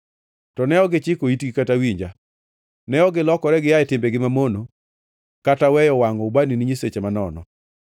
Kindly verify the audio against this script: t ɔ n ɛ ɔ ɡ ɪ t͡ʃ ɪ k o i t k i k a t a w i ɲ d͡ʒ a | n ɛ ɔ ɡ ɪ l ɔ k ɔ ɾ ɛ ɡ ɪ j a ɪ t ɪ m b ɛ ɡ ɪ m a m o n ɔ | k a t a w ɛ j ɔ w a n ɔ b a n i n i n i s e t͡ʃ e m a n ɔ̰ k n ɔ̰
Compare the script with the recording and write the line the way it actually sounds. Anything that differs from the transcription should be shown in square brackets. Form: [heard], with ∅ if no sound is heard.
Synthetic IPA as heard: t ɔ n ɛ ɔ ɡ ɪ t͡ʃ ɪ k o i t [ɡ] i k a t a w i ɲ d͡ʒ a | n ɛ ɔ ɡ ɪ l ɔ k ɔ ɾ ɛ ɡ ɪ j a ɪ t ɪ m b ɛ ɡ ɪ m a m o n [o] | k a t a w ɛ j ɔ w a [ŋ] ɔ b a n i n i [ɲ] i s e t͡ʃ e m a n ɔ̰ [∅] n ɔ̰